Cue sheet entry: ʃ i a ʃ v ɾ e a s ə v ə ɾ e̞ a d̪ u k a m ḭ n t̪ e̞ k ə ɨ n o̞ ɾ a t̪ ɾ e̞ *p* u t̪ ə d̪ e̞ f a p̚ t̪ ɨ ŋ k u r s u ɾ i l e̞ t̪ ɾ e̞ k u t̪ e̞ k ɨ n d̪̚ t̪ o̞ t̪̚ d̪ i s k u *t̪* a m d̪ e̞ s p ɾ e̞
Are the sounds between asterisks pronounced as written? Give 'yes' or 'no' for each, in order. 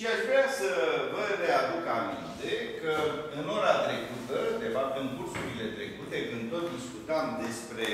no, yes

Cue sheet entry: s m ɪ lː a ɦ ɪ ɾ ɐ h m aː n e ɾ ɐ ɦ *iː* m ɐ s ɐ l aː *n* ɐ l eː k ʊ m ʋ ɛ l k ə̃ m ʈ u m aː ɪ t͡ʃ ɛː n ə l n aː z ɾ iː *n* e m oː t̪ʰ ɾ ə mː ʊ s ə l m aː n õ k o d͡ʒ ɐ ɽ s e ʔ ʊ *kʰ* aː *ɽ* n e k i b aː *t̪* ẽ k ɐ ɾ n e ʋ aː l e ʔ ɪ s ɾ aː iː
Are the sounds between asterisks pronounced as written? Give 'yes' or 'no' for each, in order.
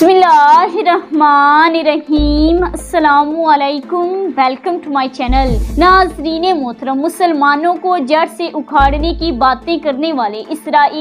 yes, no, yes, yes, yes, yes

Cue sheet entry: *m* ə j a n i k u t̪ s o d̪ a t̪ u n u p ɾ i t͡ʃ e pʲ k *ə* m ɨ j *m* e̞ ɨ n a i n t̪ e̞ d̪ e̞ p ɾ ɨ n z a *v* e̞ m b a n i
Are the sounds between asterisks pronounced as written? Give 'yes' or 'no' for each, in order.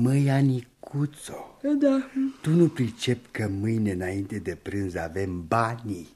yes, yes, no, yes

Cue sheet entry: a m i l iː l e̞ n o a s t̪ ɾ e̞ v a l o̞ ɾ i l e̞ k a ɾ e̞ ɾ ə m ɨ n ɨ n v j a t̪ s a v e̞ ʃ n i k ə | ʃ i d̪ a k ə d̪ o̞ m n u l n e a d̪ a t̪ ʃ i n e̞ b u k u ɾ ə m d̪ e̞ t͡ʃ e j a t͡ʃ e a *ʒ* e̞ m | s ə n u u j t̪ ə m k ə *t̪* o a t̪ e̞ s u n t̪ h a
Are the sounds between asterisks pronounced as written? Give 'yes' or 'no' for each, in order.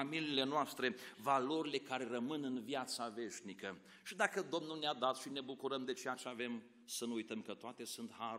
no, yes

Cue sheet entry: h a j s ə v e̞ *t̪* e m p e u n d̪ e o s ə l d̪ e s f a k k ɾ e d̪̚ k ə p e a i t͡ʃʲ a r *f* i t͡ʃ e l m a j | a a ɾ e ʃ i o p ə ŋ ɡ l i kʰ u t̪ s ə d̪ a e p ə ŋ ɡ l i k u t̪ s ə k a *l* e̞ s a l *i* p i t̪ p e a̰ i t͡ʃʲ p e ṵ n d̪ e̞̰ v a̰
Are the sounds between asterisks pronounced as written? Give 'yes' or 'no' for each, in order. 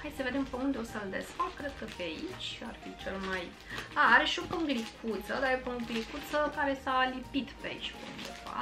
no, yes, no, yes

